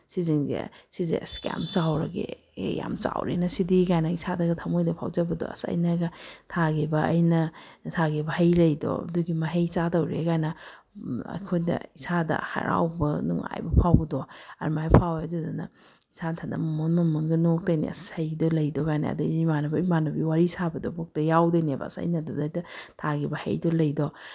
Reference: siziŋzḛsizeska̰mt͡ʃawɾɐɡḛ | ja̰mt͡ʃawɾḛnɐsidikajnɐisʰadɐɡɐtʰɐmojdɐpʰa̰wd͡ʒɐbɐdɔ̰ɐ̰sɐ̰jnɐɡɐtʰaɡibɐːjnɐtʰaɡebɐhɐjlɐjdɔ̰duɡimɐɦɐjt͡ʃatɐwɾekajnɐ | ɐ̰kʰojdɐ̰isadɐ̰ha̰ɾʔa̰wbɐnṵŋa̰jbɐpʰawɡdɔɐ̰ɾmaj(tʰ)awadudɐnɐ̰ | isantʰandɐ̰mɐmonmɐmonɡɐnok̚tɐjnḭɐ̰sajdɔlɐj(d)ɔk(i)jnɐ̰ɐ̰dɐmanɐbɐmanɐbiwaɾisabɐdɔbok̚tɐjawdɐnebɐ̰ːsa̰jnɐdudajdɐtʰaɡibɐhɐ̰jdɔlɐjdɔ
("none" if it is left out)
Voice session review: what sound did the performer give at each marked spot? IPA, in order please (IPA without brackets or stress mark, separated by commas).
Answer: pʰ, d, a